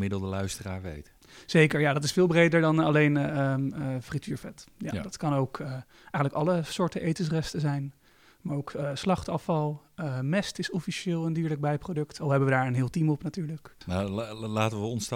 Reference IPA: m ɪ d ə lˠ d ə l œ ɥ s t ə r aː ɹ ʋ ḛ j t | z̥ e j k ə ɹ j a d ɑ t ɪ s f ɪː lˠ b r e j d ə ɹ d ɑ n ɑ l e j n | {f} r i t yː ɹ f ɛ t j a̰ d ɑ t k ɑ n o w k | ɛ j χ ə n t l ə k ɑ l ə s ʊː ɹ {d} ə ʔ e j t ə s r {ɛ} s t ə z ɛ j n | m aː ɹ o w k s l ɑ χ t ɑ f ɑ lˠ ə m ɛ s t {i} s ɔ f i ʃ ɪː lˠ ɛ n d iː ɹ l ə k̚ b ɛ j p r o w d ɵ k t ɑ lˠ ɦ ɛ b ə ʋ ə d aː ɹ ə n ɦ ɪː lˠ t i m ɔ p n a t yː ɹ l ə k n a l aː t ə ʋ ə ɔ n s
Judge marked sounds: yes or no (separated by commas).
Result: yes, no, yes, no